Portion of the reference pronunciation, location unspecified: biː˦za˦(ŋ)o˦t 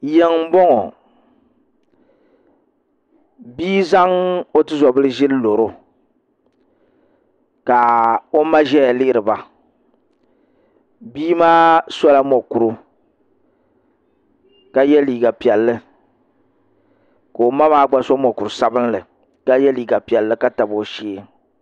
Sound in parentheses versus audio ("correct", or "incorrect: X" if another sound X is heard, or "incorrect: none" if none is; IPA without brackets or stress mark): correct